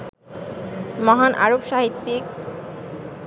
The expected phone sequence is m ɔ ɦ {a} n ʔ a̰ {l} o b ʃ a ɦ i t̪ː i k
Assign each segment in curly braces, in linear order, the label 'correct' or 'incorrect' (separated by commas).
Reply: correct, incorrect